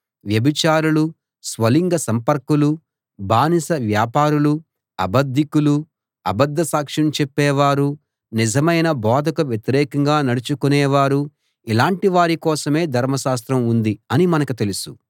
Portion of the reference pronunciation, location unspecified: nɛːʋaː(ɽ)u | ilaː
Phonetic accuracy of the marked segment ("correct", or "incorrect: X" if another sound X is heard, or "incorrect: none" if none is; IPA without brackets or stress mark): incorrect: ɾ